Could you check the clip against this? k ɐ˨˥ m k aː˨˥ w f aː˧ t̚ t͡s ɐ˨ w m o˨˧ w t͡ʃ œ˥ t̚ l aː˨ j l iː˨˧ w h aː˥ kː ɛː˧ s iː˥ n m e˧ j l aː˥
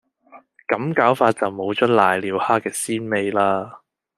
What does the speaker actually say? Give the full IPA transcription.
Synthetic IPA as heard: k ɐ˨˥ m k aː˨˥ w f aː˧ t̚ t͡s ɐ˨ w m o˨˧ w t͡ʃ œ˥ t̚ l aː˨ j l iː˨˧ w h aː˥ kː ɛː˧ s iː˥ n m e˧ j l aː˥